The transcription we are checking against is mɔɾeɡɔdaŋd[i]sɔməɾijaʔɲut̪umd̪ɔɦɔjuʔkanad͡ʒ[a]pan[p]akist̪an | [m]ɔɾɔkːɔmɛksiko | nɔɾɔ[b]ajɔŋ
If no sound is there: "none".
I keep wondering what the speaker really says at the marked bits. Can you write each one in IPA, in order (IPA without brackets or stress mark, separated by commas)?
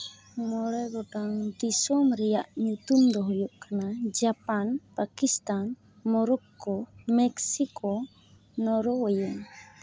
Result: i, a, p, m, w